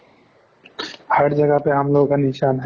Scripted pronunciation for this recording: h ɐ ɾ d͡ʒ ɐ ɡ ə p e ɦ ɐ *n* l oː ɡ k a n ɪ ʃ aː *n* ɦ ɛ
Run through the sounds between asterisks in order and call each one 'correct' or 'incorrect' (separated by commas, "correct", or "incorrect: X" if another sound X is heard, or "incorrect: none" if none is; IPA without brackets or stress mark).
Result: incorrect: m, correct